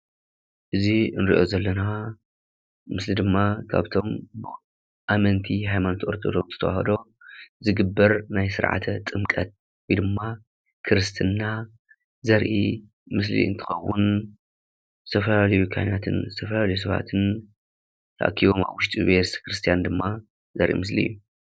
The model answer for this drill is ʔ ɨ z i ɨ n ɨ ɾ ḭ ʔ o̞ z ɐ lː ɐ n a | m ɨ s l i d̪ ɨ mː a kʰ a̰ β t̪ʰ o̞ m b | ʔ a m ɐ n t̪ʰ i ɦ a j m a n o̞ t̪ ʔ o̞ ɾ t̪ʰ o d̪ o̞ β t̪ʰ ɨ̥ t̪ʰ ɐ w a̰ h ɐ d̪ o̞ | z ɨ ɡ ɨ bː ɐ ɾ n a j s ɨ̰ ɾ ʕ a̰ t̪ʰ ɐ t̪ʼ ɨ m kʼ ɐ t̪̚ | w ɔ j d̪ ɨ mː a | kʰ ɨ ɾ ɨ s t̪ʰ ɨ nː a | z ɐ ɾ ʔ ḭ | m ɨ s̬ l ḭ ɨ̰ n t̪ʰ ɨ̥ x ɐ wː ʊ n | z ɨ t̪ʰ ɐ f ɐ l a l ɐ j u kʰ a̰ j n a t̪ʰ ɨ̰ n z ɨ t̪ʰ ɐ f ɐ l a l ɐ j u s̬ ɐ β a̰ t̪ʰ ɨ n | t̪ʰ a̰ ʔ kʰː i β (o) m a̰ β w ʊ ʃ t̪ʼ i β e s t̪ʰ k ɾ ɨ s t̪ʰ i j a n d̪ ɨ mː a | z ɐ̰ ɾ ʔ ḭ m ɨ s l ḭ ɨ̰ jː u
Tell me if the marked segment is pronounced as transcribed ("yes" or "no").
yes